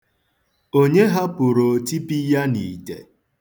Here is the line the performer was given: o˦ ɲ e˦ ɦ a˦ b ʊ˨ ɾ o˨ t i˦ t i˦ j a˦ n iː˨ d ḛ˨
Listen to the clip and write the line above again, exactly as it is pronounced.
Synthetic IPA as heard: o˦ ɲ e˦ ɦ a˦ p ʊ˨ ɾ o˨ t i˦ p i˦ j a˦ n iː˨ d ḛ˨